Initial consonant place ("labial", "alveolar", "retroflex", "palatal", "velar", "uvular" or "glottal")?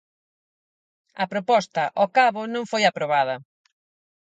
labial